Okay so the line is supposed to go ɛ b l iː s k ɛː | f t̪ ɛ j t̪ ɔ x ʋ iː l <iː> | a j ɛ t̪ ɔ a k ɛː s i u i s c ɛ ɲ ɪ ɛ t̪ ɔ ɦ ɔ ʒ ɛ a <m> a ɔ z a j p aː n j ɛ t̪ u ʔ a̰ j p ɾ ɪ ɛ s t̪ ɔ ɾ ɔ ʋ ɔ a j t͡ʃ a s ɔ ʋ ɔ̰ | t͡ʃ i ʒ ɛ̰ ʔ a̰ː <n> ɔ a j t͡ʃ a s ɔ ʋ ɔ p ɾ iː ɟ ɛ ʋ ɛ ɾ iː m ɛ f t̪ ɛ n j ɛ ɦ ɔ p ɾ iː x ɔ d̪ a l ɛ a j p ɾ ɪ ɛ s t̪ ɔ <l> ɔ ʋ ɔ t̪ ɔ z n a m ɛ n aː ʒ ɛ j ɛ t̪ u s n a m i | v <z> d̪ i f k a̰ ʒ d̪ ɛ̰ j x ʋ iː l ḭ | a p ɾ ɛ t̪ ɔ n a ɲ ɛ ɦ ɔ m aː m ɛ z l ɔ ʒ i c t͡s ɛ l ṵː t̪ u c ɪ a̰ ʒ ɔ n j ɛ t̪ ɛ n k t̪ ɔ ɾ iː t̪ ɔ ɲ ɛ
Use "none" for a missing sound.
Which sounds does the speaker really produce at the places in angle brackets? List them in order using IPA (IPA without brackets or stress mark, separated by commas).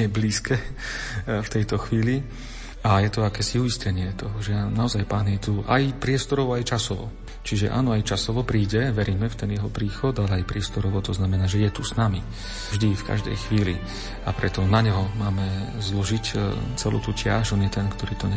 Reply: i, n, n, ɾ, ʒ